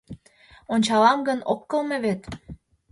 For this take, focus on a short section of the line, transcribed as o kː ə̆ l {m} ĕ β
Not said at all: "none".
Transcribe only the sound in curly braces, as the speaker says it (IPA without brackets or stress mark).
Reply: m